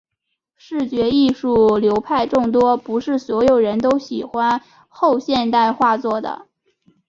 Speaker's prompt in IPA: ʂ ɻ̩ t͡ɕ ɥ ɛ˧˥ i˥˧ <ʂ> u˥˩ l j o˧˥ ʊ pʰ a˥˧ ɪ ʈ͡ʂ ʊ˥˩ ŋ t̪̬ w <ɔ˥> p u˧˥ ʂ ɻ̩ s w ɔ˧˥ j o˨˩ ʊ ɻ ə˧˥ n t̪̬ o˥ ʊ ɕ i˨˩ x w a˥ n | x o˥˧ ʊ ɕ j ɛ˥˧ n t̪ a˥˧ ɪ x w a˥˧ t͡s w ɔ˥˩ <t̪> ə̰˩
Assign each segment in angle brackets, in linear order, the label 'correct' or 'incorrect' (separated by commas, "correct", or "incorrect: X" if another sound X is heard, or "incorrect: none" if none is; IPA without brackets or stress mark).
correct, correct, incorrect: d̪